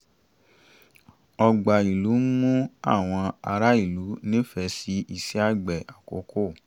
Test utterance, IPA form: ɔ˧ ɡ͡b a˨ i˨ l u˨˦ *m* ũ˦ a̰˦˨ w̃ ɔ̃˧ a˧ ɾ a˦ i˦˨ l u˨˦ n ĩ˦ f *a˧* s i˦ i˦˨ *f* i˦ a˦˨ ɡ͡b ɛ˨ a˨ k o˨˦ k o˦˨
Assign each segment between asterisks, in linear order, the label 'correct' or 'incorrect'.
correct, incorrect, incorrect

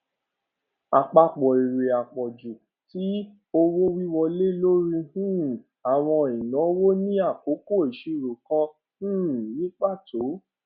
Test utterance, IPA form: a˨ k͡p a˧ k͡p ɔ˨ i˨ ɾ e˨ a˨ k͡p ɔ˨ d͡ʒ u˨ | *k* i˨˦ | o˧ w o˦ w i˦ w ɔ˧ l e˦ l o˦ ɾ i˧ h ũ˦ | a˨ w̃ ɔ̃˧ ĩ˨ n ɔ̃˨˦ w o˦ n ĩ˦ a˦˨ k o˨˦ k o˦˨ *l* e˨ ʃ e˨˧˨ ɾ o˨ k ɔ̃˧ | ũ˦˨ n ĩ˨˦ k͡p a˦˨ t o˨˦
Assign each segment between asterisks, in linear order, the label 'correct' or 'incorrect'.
incorrect, incorrect

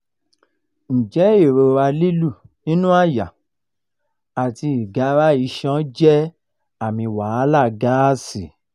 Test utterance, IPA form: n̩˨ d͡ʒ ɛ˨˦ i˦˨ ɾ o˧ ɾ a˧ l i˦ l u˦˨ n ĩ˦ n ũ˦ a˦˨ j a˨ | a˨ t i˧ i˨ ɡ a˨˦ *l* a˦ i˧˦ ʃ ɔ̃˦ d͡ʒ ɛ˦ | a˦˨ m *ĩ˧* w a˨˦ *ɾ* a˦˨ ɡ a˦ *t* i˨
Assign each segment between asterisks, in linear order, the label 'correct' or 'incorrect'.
incorrect, correct, incorrect, incorrect

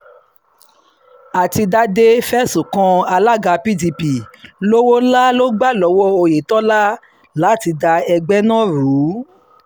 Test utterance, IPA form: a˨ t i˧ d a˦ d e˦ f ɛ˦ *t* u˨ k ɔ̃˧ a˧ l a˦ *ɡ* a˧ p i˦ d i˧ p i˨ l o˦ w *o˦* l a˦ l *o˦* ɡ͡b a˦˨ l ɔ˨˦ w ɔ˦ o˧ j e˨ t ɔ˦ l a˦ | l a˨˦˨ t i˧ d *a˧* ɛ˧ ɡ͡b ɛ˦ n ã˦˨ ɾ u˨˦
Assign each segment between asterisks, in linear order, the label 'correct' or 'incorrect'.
incorrect, correct, correct, correct, correct

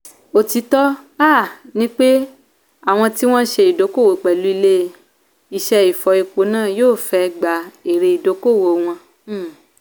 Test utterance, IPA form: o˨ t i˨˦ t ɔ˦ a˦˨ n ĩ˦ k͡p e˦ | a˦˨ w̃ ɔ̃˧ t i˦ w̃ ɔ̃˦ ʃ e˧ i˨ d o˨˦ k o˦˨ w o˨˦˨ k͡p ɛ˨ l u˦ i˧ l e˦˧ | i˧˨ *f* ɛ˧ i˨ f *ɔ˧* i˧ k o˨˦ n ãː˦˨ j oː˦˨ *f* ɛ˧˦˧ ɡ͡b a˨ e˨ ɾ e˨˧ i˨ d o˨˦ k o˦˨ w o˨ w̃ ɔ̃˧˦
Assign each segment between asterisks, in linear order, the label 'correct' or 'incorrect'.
incorrect, correct, correct

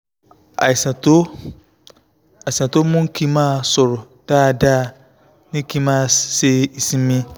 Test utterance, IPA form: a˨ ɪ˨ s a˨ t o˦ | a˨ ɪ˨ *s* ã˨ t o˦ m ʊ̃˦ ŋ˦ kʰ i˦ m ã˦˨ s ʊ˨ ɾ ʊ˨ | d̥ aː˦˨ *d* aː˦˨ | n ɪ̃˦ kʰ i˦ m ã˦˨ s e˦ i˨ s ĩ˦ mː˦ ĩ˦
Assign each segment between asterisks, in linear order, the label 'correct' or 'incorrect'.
correct, correct

